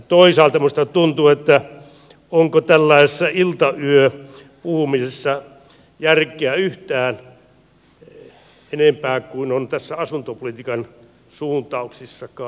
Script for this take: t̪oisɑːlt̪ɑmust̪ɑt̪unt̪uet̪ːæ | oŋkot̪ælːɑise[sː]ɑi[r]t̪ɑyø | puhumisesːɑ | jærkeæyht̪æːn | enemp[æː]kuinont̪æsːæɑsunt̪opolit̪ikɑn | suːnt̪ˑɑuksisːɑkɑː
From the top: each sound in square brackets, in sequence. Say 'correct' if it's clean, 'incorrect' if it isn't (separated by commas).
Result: correct, incorrect, correct